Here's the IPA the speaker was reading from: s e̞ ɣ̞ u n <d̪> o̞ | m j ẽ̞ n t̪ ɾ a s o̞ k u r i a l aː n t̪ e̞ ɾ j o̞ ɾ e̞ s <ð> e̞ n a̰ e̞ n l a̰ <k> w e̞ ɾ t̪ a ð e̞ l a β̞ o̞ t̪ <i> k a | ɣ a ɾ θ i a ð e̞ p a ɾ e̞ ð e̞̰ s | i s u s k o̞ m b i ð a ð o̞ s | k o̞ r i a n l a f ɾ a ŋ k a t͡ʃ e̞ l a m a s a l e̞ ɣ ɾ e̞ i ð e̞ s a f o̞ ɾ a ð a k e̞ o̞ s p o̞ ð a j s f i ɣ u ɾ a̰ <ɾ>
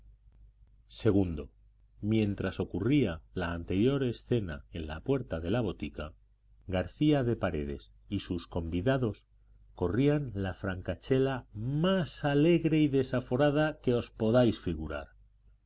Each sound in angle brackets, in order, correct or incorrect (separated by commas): correct, incorrect, incorrect, correct, correct